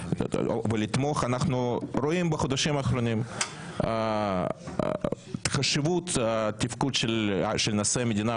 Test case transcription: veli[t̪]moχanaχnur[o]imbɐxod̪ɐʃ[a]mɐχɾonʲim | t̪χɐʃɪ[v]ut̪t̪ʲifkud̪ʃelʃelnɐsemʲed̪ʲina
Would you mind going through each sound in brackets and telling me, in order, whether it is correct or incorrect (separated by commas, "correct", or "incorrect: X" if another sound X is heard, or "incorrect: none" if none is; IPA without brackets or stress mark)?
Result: correct, correct, incorrect: i, correct